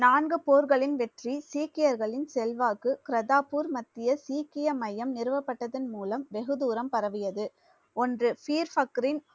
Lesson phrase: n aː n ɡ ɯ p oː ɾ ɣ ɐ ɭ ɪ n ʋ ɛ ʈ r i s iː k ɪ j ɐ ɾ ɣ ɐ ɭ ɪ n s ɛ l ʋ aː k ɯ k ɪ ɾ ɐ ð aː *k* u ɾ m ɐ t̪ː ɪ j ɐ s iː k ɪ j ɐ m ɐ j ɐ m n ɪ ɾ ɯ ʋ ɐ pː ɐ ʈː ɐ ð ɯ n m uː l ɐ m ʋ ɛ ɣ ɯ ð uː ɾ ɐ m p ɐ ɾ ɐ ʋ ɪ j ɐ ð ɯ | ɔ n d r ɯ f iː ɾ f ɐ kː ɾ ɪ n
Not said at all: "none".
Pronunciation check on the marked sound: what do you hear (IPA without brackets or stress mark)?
p